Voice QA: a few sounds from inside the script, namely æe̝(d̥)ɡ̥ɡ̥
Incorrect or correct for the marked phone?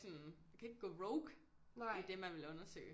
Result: incorrect: none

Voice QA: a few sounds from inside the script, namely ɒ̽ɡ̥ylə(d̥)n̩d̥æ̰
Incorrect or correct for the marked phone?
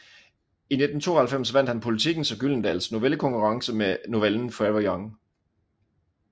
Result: incorrect: none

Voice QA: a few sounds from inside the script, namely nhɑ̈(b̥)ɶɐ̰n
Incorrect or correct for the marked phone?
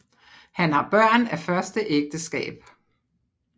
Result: correct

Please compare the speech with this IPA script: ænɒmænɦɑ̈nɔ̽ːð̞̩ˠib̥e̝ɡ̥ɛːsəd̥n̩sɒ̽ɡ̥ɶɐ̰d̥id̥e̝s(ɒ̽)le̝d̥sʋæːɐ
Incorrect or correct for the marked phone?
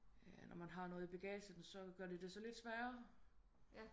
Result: correct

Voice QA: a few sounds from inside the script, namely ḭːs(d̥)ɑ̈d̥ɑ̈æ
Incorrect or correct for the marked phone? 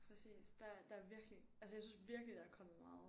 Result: correct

